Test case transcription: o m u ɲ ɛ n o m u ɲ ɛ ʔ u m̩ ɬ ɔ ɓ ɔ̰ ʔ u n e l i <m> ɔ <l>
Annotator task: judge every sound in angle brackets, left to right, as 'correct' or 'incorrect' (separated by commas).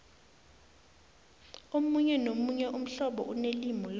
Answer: correct, correct